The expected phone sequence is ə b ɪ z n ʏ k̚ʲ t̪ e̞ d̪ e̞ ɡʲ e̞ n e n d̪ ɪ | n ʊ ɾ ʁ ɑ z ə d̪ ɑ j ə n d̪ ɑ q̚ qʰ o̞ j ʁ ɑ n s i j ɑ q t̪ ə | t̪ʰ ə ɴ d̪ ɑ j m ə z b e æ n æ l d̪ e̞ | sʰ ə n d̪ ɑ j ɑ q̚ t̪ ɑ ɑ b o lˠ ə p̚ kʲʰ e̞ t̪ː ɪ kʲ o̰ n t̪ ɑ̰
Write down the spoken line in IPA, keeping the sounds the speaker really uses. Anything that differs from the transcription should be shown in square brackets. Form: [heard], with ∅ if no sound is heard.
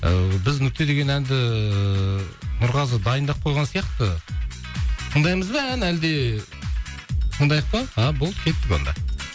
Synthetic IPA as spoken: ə b ɪ z n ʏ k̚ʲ t̪ e̞ d̪ e̞ ɡʲ e̞ n [æ] n d̪ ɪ | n ʊ ɾ ʁ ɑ z ə d̪ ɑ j ə n d̪ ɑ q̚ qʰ o̞ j ʁ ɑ n s i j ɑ q t̪ ə | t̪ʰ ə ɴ d̪ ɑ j m ə z b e æ n æ l d̪ e̞ | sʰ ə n d̪ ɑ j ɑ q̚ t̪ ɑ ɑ b o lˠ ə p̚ kʲʰ e̞ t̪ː ɪ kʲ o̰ n [d̪] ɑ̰